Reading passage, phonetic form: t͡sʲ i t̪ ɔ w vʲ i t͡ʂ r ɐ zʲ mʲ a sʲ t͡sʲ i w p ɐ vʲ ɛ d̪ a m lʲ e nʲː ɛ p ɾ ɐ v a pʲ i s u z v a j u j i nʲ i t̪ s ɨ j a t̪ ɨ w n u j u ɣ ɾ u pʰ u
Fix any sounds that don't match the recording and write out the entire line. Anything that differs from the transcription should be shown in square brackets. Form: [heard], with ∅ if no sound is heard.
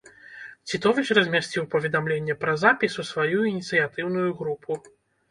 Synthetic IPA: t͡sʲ i t̪ ɔ [∅] vʲ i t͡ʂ r ɐ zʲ mʲ a sʲ t͡sʲ i w p ɐ vʲ ɛ d̪ a m lʲ e nʲː ɛ p ɾ ɐ [z] a pʲ i s u [s] v a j u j i nʲ i t̪ s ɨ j a t̪ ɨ w n u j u ɣ ɾ u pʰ u